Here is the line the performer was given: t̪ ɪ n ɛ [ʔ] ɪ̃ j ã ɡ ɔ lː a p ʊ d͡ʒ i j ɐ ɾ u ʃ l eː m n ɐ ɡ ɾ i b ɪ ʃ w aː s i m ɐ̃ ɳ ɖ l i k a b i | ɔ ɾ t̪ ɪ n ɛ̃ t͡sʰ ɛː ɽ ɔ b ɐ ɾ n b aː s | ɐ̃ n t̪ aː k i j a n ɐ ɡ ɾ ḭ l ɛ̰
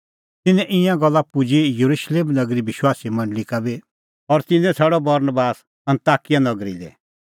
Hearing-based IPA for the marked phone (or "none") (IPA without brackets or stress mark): ʔ